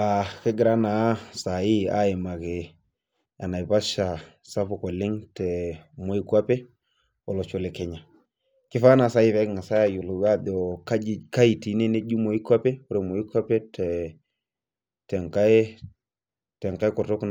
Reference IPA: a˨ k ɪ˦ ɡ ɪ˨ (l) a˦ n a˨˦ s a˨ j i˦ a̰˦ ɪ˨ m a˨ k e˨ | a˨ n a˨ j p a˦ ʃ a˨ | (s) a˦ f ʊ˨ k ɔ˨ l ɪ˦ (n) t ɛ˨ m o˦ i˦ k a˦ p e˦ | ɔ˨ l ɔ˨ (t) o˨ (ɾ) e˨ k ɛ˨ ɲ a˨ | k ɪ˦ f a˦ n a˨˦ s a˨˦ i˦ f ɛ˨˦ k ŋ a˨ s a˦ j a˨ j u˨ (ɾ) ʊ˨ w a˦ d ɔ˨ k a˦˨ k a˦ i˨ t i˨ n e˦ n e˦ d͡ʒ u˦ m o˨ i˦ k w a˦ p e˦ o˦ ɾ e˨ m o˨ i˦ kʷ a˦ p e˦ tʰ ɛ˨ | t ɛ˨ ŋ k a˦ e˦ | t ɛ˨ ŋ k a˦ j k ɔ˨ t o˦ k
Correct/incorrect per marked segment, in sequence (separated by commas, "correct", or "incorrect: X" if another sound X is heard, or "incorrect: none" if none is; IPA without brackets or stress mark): incorrect: ɾ, correct, incorrect: ŋ, incorrect: t͡ʃ, incorrect: l, incorrect: l